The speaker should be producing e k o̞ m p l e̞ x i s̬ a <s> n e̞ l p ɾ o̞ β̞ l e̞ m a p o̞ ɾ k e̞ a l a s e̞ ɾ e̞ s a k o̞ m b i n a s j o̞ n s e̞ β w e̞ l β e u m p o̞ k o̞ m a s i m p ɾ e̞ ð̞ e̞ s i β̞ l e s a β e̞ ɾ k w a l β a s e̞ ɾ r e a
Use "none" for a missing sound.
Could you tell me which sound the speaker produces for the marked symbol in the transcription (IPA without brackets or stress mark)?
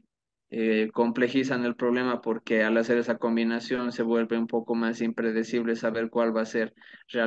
none